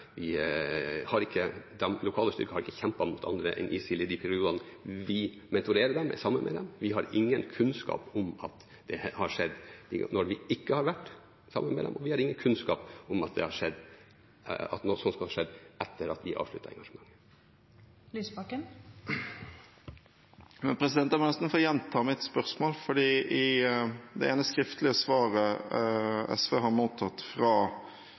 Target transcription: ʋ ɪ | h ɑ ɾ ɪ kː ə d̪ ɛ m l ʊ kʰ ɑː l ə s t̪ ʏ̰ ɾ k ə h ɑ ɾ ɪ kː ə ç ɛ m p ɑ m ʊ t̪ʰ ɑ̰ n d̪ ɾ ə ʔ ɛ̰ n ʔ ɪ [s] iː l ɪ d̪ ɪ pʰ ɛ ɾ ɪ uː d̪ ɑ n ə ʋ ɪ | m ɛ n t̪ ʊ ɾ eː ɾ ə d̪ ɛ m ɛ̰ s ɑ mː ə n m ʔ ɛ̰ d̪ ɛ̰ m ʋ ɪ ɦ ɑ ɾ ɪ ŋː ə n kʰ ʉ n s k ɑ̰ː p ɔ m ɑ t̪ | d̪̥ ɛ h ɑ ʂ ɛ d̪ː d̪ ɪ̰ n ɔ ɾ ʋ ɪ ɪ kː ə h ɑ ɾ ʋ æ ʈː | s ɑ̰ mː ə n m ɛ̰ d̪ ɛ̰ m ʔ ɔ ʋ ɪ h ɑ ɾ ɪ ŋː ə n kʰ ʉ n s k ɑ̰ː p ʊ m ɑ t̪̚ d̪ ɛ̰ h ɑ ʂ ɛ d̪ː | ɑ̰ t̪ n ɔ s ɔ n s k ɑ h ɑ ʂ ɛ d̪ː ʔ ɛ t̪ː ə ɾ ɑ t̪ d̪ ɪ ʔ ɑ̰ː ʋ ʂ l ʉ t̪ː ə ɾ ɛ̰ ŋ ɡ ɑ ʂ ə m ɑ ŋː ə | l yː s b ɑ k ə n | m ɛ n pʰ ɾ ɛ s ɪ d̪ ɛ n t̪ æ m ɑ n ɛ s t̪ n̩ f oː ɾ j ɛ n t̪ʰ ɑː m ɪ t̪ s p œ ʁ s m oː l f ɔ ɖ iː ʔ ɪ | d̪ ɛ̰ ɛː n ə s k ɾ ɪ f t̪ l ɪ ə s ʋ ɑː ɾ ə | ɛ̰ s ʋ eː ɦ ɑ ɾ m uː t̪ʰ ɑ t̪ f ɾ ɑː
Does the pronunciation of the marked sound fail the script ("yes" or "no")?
no